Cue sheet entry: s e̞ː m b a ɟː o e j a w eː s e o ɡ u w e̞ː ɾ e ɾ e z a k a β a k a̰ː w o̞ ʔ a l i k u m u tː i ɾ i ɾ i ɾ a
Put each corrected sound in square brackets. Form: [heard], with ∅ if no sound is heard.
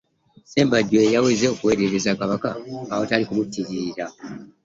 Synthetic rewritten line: s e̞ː m b a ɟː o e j a w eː [z] e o [k] u w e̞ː ɾ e ɾ e z a k a β a k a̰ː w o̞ [t] a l i k u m u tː i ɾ i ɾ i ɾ a